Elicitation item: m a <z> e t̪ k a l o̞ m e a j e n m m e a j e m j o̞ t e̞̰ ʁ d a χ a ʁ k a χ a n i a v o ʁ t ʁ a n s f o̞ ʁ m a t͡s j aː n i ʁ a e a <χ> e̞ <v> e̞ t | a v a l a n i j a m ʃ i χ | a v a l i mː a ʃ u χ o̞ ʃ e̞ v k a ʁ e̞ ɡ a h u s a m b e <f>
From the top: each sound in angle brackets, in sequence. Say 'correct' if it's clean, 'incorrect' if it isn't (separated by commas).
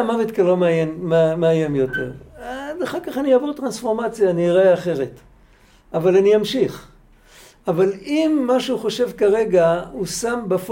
incorrect, correct, incorrect, correct